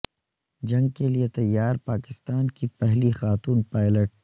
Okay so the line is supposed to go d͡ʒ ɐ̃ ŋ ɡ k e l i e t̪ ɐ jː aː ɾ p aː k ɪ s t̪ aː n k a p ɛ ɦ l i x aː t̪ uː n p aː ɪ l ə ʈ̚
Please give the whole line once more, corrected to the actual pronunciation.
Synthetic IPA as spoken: d͡ʒ ɐ̃ ŋ ɡ k e l i e t̪ ɐ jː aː ɾ p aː k ɪ s t̪ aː n k i p ɛ ɦ l i x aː t̪ uː n p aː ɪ l ə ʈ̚